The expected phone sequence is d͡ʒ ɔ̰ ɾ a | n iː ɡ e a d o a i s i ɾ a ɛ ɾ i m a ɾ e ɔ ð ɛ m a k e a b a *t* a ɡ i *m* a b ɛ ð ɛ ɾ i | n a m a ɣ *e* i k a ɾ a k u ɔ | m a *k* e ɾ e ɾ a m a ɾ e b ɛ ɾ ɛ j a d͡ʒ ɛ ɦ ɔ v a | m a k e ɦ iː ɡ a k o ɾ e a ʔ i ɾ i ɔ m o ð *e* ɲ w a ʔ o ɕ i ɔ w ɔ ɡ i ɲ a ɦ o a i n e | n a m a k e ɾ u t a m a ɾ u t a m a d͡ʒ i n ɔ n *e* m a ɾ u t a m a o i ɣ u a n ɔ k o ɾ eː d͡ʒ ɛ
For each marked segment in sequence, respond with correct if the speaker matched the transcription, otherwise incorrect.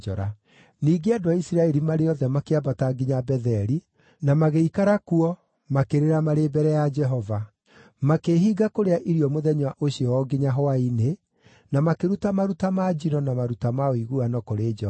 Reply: correct, incorrect: ɲ, correct, correct, incorrect: ɛ, incorrect: a

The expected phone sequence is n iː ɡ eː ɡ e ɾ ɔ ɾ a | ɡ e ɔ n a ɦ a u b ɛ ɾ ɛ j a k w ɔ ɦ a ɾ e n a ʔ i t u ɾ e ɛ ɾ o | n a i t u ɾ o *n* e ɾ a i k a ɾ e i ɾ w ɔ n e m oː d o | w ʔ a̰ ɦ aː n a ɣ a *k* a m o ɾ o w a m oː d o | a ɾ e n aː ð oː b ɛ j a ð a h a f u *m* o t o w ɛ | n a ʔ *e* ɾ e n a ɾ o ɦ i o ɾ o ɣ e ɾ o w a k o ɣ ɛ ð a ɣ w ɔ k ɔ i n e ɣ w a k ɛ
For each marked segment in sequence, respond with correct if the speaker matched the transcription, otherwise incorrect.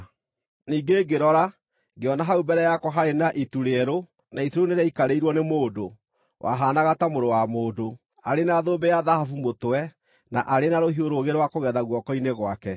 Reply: correct, incorrect: t, correct, incorrect: a

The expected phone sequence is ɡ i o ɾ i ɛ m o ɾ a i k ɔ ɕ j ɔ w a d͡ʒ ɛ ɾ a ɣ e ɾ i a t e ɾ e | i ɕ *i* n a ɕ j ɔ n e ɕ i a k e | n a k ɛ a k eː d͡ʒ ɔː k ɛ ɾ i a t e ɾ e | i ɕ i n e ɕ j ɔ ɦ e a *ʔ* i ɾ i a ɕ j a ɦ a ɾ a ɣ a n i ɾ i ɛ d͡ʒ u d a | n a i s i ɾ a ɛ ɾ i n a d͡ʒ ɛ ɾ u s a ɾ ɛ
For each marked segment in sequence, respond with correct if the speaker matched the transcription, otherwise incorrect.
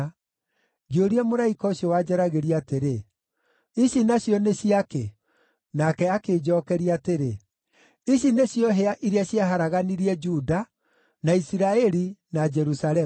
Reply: correct, correct

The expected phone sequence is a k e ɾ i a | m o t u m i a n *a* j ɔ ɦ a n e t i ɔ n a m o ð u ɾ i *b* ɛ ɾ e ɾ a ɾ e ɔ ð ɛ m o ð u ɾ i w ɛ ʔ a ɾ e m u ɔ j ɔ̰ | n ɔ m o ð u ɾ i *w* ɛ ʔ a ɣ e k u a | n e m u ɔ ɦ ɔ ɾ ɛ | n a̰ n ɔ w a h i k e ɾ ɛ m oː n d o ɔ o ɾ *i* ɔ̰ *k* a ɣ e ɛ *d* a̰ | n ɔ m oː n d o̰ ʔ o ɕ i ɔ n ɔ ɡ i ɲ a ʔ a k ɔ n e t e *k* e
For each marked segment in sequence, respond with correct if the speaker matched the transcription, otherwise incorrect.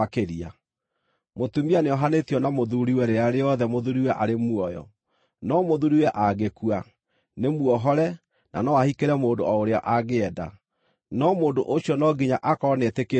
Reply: incorrect: e, incorrect: w, correct, incorrect: e, incorrect: ʔ, correct, correct

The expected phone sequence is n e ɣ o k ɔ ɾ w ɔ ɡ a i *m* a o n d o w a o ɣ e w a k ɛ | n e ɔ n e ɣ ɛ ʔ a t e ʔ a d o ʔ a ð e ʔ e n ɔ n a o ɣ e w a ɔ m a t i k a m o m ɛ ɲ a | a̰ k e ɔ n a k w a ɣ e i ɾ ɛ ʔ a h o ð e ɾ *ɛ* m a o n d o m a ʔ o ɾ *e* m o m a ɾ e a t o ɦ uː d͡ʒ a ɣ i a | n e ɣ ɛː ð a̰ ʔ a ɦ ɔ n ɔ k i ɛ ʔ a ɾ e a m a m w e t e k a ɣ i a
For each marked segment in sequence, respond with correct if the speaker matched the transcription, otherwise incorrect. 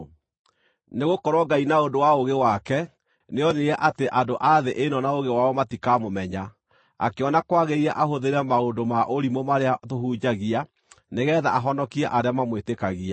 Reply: incorrect: n, correct, incorrect: i

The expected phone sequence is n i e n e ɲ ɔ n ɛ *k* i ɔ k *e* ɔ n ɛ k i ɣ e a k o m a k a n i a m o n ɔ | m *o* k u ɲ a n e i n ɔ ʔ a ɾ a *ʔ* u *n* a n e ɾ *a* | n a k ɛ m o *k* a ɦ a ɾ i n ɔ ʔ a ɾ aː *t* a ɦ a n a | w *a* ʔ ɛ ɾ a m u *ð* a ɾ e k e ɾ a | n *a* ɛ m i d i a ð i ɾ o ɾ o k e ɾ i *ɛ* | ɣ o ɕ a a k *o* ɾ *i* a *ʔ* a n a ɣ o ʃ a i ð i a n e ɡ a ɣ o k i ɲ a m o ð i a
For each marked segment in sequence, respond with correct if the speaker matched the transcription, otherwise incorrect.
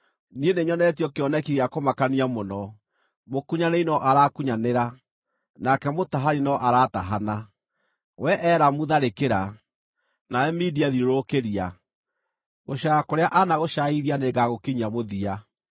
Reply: incorrect: t, correct, correct, incorrect: k, incorrect: ɲ, correct, incorrect: t, correct, incorrect: ɛ, correct, correct, incorrect: a, correct, incorrect: e, correct

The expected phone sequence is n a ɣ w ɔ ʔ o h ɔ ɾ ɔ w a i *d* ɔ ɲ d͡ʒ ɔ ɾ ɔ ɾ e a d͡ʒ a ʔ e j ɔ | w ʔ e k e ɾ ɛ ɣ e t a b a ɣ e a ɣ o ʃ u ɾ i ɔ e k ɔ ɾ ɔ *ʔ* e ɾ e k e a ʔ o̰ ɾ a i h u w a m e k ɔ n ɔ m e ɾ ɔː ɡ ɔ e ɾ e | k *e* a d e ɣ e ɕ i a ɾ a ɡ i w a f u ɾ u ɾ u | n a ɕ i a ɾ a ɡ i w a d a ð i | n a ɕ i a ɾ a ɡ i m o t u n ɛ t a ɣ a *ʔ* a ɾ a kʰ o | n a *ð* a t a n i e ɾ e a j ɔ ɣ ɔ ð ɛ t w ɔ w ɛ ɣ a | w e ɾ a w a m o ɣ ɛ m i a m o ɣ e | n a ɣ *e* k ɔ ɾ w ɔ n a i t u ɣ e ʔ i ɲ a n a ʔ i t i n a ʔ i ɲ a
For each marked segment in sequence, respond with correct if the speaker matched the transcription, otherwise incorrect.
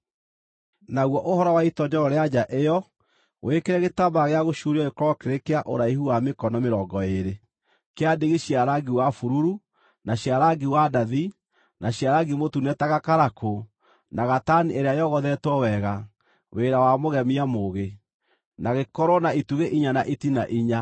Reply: incorrect: t, incorrect: k, correct, incorrect: k, incorrect: ɣ, correct

